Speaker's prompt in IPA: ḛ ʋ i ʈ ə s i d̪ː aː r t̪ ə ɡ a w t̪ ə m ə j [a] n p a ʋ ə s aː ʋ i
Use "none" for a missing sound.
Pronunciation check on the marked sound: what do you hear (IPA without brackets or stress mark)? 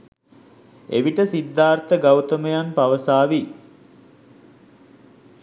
a